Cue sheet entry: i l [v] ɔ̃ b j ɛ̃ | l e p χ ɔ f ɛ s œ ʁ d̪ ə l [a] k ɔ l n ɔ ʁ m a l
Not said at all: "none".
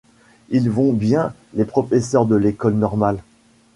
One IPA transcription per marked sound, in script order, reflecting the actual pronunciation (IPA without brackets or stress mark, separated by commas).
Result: v, e